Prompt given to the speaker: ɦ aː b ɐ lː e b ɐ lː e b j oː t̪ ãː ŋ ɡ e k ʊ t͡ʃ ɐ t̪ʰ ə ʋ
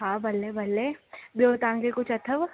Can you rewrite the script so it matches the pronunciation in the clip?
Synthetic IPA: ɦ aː b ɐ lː e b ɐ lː e b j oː t̪ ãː ŋ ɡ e k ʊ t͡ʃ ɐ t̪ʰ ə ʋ